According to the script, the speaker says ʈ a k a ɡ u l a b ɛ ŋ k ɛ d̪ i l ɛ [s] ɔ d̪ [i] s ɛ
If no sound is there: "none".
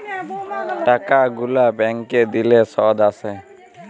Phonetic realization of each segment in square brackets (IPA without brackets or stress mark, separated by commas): s, a